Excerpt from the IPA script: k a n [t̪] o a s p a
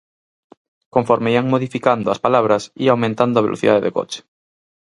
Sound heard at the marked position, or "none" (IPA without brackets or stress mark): d̪